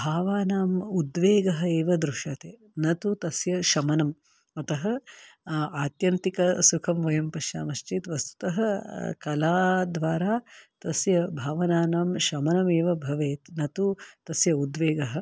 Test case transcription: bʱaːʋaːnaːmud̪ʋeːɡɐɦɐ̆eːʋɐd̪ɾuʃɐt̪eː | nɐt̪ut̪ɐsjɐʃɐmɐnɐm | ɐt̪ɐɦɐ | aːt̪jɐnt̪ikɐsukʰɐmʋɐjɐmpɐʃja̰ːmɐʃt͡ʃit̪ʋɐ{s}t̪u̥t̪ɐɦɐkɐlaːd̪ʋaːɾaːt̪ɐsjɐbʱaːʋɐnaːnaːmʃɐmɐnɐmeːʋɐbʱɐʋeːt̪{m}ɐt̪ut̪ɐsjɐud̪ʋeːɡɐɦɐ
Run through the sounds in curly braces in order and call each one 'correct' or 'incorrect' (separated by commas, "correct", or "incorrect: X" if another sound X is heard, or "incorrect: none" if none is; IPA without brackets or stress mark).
correct, incorrect: n